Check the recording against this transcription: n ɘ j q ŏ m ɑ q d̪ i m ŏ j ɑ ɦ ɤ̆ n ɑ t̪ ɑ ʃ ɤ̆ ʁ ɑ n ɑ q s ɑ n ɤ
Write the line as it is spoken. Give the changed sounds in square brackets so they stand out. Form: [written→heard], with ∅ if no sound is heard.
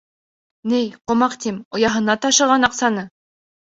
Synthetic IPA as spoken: n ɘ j q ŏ m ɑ q [d̪→t̪] i m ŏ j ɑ ɦ ɤ̆ n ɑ t̪ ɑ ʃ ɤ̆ ʁ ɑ n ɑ q s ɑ n ɤ